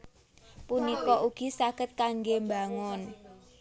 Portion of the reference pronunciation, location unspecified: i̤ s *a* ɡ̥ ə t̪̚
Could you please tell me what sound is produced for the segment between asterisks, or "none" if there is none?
a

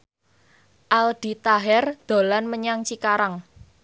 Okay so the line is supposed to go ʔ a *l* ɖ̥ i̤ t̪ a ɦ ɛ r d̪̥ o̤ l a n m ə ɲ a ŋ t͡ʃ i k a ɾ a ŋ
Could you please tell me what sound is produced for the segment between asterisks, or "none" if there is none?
l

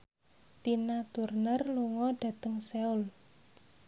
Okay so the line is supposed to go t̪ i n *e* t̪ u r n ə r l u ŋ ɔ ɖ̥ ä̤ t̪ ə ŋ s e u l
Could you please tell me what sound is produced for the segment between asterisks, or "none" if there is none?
a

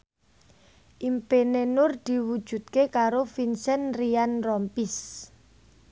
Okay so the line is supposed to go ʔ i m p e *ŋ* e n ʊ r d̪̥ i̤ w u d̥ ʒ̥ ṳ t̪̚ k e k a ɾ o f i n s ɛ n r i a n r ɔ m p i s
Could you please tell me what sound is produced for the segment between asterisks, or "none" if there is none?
n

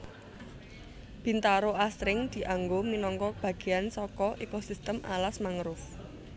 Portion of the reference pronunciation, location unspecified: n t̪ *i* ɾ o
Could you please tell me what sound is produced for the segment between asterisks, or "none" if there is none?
a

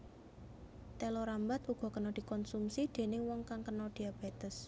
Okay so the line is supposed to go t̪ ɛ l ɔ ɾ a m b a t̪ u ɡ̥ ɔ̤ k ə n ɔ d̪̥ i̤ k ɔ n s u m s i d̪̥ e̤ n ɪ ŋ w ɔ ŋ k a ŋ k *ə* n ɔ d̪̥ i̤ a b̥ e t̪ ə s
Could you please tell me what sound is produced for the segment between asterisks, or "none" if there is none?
ə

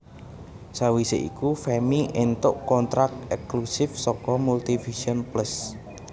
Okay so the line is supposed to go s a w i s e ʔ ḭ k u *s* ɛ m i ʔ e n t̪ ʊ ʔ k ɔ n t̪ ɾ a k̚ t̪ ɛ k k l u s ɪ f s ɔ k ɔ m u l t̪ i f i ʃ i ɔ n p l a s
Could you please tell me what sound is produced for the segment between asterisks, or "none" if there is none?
f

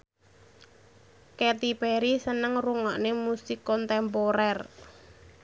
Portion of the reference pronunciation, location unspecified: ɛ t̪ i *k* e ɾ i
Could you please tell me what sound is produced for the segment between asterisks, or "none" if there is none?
p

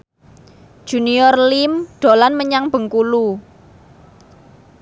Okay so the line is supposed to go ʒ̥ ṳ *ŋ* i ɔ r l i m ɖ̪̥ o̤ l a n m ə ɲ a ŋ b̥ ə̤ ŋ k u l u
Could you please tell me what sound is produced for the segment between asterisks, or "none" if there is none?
n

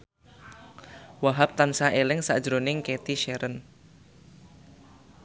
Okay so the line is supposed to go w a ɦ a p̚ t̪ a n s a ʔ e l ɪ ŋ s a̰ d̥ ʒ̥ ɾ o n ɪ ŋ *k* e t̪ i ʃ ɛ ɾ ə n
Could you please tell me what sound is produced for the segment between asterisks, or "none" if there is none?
k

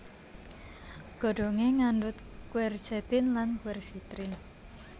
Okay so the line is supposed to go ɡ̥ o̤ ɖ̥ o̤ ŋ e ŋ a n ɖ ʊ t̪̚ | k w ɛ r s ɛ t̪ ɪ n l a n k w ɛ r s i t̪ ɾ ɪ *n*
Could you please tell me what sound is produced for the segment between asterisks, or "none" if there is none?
n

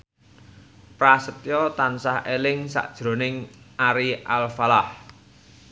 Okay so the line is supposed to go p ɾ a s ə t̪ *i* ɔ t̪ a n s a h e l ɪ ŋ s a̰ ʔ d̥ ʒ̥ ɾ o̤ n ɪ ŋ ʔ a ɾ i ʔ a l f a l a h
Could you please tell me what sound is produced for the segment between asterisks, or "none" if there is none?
j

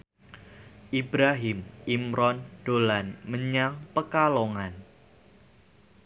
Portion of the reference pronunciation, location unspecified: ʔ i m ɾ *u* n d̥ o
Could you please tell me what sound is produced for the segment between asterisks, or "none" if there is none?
ɔ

